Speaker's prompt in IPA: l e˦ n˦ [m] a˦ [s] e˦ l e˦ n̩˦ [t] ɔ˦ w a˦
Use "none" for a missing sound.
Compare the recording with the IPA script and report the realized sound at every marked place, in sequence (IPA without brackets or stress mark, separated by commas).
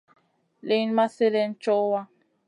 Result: m, s, t͡ʃ